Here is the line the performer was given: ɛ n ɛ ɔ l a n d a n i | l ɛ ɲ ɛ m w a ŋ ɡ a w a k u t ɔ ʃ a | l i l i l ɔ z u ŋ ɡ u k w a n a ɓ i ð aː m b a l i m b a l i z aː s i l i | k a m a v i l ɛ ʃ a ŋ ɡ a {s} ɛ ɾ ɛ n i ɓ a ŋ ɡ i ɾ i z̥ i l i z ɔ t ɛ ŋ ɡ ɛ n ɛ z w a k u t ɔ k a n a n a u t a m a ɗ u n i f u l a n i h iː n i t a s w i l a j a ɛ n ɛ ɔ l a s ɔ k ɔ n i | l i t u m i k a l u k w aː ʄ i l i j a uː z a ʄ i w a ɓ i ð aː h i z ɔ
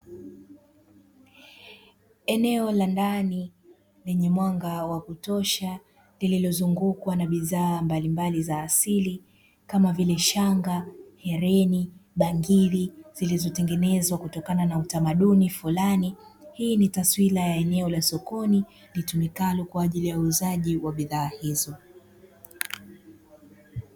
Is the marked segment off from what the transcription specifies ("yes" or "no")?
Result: yes